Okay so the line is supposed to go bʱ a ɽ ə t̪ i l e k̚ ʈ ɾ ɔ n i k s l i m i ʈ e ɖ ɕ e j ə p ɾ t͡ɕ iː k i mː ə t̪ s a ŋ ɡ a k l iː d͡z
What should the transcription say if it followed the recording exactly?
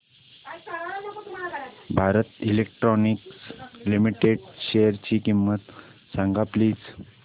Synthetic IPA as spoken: bʱ a ɾ ə t̪ i l e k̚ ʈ ɾ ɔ n i k s l i m i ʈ e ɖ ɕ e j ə ɾ t͡ɕ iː k i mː ə t̪ s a ŋ ɡ a p l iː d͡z